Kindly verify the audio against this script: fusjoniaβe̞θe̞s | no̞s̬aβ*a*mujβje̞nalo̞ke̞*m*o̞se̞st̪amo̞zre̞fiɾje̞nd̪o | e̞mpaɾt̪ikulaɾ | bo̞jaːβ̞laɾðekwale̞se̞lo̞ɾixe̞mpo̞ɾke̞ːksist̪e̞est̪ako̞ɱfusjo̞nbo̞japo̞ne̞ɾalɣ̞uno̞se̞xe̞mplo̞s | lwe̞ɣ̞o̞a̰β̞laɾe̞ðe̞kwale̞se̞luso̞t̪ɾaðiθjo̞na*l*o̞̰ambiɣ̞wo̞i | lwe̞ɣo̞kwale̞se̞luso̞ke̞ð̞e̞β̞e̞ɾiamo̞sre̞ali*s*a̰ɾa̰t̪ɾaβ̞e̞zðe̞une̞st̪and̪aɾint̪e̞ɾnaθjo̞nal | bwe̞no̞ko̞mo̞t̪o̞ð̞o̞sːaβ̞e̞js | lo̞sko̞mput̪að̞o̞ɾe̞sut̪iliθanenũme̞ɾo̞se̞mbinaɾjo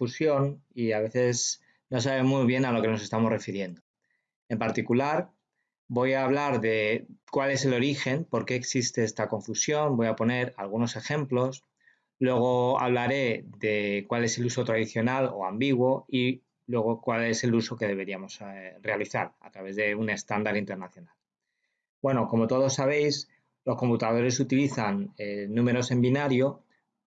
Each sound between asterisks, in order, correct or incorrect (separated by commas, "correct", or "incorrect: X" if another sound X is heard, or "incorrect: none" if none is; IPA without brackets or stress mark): incorrect: e, incorrect: n, correct, incorrect: θ